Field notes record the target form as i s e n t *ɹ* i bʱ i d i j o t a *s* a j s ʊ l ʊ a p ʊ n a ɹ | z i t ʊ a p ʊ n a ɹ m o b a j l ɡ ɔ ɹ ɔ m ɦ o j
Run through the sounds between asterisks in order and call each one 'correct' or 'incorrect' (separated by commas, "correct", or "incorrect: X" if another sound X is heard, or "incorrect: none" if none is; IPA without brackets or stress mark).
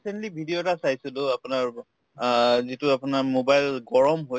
incorrect: l, correct